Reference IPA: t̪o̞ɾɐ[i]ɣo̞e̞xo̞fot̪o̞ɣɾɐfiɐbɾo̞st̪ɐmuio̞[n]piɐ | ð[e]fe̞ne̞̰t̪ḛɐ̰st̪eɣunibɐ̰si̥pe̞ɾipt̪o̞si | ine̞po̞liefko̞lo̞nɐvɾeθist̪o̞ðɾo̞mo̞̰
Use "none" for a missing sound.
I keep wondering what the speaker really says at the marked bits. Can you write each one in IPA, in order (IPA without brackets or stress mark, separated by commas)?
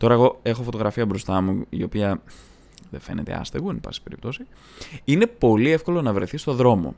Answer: e, none, e